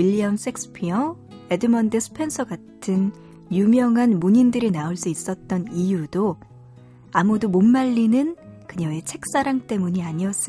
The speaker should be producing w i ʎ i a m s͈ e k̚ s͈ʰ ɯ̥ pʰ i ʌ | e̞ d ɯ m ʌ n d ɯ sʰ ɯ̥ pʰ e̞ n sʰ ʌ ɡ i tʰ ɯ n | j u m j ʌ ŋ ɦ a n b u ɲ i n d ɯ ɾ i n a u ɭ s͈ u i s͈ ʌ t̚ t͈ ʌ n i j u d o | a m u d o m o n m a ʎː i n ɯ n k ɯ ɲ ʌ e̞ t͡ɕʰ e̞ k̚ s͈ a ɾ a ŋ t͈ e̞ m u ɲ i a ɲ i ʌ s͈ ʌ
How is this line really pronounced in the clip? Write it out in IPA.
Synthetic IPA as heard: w i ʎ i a m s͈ e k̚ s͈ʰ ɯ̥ pʰ i ʌ | e̞ d ɯ m ʌ n d ɯ sʰ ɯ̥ pʰ e̞ n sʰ ʌ ɡ a tʰ ɯ n | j u m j ʌ ŋ ɦ a n m u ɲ i n d ɯ ɾ i n a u ɭ s͈ u i s͈ ʌ t̚ t͈ ʌ n i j u d o | a m u d o m o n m a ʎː i n ɯ n k ɯ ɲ ʌ e̞ t͡ɕʰ e̞ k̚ s͈ a ɾ a ŋ t͈ e̞ m u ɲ i a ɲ i ʌ s͈ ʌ